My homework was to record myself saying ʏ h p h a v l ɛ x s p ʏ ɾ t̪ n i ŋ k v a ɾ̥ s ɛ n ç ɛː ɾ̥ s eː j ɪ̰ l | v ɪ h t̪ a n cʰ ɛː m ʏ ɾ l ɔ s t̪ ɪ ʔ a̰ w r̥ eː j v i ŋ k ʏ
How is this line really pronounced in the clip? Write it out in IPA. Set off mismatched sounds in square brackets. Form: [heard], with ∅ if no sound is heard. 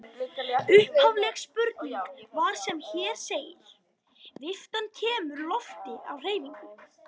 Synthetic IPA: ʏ h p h a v l ɛ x s p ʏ ɾ t̪ n i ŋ k v a ɾ̥ s ɛ [m] ç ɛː ɾ̥ s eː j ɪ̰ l | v ɪ [f] t̪ a n cʰ ɛː m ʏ ɾ l ɔ [f] t̪ ɪ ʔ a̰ w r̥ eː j v i ŋ k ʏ